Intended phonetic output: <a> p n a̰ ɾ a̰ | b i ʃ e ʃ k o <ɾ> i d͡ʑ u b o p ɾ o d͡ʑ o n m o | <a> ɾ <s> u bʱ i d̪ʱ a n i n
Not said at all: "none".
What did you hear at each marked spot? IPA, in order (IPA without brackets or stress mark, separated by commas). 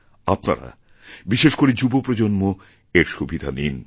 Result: a, ɾ, e, ʃ